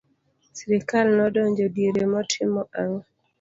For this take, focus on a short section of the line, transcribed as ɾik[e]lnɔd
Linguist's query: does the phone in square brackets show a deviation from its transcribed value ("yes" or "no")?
yes